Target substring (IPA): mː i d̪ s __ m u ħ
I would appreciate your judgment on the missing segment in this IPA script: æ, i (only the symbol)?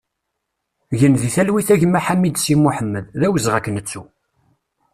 i